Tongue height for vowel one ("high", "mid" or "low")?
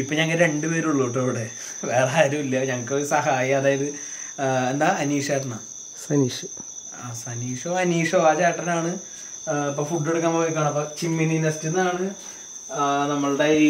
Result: high